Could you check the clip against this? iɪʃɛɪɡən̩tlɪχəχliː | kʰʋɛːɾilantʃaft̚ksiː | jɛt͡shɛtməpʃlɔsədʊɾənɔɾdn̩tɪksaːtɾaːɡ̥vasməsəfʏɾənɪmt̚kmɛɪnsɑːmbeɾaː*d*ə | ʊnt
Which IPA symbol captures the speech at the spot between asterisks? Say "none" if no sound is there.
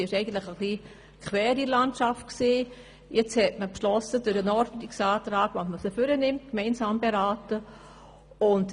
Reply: t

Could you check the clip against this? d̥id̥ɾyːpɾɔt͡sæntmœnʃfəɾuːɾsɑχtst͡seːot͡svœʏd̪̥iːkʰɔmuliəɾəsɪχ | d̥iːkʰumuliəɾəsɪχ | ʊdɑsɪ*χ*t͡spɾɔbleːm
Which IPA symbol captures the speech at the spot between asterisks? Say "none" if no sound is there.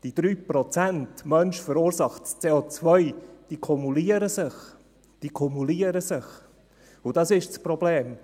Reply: ʃ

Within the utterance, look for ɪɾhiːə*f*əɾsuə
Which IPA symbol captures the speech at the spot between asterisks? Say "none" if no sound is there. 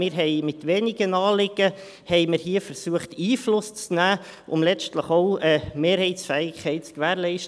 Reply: f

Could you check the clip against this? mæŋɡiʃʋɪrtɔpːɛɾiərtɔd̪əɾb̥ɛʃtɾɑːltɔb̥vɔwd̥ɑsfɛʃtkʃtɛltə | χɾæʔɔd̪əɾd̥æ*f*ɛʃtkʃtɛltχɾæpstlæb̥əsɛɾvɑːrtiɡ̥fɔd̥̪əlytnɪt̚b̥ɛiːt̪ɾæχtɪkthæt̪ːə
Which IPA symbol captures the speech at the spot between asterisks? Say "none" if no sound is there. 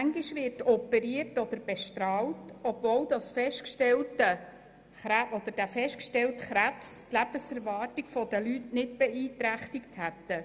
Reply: f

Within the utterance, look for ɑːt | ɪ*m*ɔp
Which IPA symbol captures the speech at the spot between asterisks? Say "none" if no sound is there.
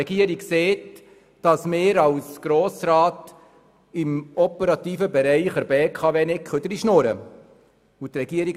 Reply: m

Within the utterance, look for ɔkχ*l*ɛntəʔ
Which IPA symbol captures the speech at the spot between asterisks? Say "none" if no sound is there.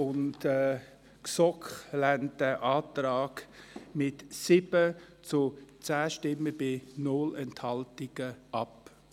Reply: l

